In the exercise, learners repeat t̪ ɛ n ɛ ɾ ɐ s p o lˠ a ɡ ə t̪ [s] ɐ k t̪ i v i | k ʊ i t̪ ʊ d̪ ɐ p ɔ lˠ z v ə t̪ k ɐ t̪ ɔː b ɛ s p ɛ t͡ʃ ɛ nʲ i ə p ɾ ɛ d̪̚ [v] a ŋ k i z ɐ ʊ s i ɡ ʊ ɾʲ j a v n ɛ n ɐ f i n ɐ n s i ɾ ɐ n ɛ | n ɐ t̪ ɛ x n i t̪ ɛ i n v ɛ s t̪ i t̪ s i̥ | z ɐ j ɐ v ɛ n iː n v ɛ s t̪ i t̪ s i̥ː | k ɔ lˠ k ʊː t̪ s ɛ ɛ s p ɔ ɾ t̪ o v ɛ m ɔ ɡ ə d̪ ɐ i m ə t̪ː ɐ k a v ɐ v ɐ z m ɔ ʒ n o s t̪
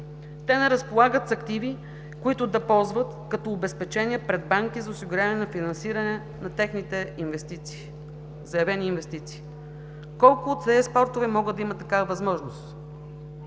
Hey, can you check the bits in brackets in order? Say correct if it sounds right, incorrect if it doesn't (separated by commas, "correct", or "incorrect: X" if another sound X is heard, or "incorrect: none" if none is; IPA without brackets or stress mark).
correct, incorrect: b